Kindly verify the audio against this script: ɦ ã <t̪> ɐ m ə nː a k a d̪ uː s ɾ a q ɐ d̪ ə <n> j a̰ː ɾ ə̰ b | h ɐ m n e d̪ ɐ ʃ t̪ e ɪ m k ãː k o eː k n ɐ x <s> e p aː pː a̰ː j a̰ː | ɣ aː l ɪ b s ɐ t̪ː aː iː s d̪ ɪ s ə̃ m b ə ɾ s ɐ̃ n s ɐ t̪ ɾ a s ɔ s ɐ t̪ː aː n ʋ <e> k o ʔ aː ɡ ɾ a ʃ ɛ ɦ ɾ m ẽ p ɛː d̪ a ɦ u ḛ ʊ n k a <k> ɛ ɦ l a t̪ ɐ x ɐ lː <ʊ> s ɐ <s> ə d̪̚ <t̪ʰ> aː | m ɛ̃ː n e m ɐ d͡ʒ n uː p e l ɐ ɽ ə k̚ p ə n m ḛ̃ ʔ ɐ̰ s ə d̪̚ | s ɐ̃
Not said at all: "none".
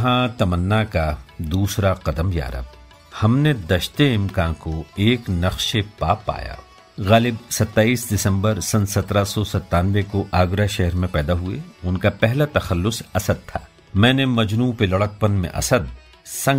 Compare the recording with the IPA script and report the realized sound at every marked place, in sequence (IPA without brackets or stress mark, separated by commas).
t̪, m, ʃ, e, p, ʊ, s, t̪ʰ